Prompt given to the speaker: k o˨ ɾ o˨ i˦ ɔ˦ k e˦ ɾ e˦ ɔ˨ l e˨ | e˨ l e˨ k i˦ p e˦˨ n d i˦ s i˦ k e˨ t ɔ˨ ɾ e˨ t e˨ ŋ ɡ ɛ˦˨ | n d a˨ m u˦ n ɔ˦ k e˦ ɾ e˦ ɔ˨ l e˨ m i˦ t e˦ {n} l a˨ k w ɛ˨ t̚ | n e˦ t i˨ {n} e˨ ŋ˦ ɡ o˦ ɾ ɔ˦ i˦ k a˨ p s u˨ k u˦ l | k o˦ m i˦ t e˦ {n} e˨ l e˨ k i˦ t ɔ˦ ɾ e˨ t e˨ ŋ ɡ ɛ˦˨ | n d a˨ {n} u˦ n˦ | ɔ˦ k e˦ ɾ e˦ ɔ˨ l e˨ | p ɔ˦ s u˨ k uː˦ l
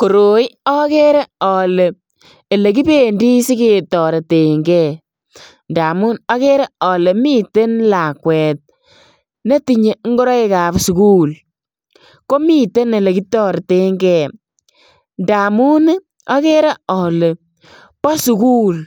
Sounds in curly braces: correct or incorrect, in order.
correct, incorrect: ɲ, correct, incorrect: m

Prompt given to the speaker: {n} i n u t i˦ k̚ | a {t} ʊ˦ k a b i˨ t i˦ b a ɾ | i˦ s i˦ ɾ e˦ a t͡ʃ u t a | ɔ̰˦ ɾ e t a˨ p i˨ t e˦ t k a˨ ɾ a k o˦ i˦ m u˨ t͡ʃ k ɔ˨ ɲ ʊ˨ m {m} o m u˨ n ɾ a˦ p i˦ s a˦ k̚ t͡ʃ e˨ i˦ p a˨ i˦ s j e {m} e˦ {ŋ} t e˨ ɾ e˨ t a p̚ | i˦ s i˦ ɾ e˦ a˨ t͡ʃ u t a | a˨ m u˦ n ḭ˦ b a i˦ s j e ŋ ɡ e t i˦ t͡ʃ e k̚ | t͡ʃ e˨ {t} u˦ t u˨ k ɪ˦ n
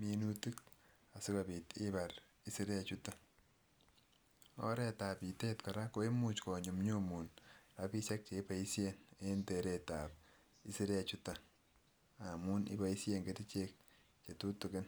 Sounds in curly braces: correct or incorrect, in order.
incorrect: m, incorrect: s, incorrect: ɲ, incorrect: n, incorrect: n, correct

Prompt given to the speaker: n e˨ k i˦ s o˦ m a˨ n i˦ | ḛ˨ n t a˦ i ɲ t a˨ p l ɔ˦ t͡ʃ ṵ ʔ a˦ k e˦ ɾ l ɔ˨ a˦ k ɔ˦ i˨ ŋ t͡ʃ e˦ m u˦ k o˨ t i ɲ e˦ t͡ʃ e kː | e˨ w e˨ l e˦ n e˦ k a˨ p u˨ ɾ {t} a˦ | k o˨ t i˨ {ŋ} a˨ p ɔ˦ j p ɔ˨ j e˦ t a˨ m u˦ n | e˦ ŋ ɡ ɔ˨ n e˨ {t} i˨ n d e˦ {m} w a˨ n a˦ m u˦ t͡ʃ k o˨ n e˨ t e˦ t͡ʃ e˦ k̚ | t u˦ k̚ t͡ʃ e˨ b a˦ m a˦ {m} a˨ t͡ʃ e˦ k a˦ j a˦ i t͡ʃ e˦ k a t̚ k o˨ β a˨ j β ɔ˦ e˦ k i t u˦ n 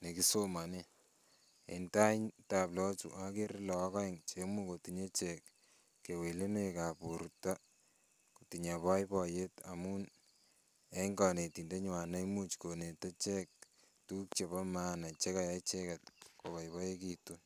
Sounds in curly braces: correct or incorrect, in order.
correct, incorrect: ɲ, correct, incorrect: ɲ, incorrect: n

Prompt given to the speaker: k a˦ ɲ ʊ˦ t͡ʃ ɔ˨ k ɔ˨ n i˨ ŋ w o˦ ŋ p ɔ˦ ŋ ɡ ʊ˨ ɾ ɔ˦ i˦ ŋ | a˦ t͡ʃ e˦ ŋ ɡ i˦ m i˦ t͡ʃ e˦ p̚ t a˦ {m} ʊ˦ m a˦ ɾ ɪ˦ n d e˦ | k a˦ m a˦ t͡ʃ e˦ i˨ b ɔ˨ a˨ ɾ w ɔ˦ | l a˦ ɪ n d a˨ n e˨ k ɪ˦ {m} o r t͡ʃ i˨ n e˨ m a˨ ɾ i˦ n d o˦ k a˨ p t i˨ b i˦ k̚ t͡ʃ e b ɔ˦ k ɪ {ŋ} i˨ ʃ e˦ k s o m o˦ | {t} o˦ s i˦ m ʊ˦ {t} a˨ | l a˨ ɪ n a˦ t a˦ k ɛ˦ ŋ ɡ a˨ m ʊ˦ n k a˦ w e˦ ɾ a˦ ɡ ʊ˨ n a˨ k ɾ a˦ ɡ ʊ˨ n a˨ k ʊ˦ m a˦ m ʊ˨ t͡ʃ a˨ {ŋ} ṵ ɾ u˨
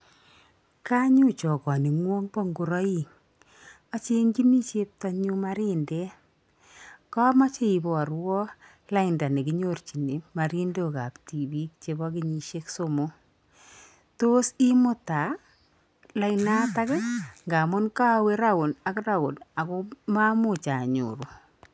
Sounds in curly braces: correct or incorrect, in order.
incorrect: ɲ, incorrect: ɲ, incorrect: ɲ, correct, correct, incorrect: ɲ

